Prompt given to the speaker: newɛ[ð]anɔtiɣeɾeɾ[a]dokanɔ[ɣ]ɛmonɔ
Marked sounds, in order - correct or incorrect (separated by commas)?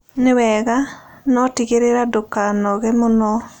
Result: incorrect, correct, correct